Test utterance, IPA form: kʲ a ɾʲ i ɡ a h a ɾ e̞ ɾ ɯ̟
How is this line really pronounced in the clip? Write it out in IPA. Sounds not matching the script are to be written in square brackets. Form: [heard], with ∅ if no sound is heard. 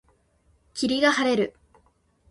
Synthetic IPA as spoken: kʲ [i] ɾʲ i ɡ a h a ɾ e̞ ɾ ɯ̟